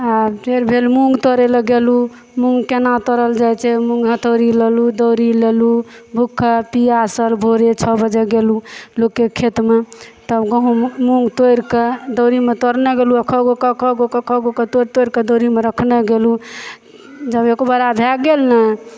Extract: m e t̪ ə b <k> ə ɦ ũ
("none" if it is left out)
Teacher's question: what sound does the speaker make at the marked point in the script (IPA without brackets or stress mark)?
ɡ